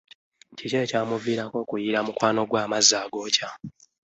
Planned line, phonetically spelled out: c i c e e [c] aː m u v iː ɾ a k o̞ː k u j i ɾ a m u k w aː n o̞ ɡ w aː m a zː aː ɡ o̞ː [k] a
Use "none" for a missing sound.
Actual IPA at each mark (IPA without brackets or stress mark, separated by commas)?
c, c